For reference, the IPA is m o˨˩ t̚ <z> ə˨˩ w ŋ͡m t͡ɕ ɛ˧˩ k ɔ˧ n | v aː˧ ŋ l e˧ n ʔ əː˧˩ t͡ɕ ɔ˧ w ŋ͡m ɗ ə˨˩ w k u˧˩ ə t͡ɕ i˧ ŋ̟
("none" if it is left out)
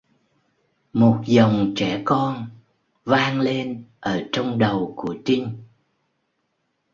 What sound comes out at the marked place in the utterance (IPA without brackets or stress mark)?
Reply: z